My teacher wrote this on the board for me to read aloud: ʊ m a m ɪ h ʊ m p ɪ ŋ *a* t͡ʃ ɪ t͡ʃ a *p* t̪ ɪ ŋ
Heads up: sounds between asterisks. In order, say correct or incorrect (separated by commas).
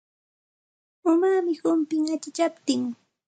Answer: correct, correct